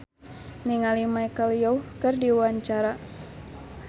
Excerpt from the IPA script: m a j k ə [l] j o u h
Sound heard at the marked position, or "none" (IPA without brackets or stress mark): l